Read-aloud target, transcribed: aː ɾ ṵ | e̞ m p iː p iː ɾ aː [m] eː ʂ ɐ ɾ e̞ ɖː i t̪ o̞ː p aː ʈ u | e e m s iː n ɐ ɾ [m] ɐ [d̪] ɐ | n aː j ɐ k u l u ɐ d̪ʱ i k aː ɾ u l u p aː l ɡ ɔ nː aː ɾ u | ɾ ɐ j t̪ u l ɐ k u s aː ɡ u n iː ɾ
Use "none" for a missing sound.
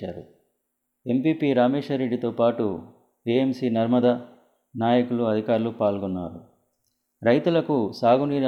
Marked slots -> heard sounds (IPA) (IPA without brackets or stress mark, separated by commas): m, m, d̪